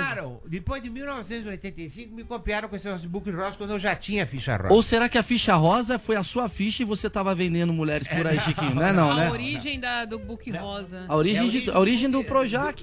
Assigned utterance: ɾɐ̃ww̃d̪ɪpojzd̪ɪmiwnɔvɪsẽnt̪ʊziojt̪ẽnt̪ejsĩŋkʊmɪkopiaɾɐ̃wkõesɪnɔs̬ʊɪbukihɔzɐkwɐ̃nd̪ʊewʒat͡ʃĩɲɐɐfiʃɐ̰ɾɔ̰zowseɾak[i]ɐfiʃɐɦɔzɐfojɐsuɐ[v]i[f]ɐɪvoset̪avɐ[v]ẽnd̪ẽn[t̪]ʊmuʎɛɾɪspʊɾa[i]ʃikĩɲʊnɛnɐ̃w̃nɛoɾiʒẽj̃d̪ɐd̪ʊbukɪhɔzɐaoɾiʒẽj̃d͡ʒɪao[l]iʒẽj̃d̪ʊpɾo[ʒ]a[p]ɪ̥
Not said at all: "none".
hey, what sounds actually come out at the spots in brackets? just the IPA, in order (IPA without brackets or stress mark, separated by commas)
ɪ, f, ʃ, v, d̪, i, ɾ, ʒ, k